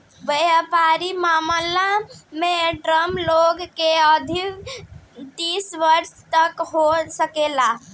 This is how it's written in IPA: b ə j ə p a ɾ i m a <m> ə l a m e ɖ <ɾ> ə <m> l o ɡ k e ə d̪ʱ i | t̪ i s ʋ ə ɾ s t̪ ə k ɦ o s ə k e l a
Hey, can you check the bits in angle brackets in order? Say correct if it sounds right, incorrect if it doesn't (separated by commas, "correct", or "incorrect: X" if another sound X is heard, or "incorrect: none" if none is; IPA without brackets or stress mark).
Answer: correct, correct, correct